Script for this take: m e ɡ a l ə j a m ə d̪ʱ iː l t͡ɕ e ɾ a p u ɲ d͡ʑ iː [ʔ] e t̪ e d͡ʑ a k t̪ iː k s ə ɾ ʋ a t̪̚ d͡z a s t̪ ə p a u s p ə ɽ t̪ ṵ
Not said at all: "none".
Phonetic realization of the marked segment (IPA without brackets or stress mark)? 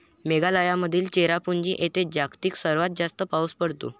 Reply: ʔ